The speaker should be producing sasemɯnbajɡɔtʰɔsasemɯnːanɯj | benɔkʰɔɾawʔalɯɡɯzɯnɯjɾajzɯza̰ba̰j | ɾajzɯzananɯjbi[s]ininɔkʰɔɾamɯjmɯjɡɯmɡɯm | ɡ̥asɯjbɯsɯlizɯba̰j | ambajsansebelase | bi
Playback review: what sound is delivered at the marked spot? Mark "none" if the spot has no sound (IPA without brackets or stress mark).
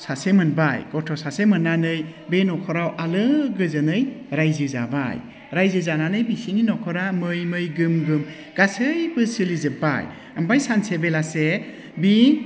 s